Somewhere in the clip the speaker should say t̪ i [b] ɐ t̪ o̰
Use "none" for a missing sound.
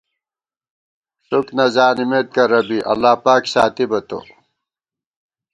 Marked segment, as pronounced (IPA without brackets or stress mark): b